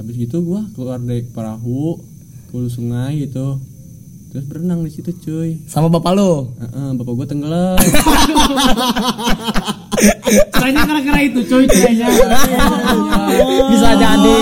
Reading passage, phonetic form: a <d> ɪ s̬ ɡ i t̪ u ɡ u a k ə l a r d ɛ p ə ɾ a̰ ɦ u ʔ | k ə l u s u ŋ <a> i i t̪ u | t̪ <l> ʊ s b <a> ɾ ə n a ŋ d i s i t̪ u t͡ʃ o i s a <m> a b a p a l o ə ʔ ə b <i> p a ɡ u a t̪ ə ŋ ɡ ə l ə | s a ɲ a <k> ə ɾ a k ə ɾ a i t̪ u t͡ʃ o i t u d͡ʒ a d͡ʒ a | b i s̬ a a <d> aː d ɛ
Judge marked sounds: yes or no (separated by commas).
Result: no, yes, no, no, yes, no, yes, no